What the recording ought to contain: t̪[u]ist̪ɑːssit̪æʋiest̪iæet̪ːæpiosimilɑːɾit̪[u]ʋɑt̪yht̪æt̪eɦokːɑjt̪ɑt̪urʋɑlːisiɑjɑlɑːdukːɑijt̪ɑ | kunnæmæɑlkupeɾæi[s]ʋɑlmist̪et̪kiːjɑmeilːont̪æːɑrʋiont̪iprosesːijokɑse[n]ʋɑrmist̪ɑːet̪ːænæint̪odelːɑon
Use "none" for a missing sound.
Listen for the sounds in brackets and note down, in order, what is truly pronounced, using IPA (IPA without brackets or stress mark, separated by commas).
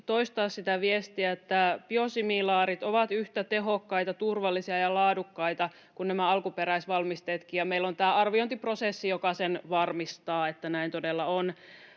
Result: o, o, s, n